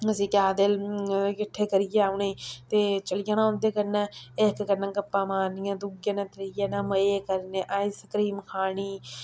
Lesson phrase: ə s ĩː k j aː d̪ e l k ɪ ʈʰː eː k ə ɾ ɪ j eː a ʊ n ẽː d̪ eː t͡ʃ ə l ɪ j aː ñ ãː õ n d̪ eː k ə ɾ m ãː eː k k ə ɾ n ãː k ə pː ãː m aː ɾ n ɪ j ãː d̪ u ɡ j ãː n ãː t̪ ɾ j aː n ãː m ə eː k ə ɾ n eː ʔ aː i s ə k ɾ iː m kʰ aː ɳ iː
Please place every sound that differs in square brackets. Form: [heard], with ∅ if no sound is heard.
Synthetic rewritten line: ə s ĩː k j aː d̪ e l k ɪ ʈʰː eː k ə ɾ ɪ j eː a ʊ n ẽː [t̪] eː t͡ʃ ə l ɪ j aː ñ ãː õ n d̪ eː k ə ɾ [n] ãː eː k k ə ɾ n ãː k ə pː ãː m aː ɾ n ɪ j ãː d̪ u ɡ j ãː n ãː t̪ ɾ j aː n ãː m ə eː k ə ɾ n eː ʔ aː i s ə k ɾ iː m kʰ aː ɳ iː